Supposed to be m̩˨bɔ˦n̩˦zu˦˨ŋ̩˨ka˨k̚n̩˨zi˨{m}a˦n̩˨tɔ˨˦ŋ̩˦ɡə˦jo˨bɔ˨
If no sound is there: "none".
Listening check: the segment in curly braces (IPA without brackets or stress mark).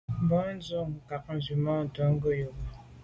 m